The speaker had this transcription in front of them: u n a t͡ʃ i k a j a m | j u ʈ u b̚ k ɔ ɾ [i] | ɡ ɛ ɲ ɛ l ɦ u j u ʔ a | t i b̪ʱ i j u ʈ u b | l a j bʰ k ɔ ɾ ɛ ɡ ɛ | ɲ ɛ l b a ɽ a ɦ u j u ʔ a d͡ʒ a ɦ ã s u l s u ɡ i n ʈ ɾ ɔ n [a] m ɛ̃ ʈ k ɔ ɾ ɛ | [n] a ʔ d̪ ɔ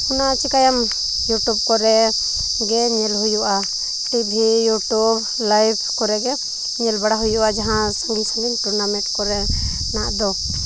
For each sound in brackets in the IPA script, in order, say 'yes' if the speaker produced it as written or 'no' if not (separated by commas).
no, yes, yes